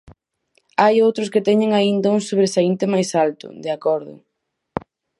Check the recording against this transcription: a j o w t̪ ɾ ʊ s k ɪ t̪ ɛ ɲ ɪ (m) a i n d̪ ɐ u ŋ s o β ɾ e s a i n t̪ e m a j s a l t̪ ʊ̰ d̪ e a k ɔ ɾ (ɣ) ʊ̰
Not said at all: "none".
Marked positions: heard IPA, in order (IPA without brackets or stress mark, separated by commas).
ŋ, ð